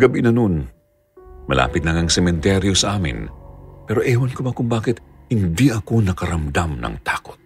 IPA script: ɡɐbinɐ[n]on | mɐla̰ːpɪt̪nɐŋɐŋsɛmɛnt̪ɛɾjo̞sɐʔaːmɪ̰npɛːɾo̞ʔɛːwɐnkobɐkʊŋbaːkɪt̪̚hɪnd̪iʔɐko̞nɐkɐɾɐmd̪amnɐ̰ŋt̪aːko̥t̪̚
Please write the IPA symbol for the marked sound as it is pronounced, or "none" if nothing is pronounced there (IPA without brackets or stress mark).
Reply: n